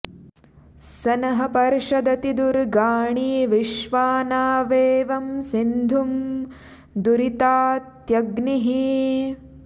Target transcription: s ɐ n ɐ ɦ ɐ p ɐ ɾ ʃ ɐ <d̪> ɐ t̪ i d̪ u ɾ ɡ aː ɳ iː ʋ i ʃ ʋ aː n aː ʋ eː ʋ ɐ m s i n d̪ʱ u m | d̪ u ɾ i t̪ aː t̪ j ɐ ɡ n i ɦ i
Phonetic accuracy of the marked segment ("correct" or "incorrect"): correct